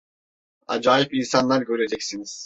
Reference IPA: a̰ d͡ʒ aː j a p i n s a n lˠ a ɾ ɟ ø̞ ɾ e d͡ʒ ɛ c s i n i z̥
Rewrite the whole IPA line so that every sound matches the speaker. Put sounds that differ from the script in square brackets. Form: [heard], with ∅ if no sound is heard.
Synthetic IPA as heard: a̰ d͡ʒ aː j [i] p i n s a n lˠ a ɾ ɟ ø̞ ɾ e d͡ʒ ɛ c s i n i z̥